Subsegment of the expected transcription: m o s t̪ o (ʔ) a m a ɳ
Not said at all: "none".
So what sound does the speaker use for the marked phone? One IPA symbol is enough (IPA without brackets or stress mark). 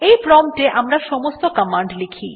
k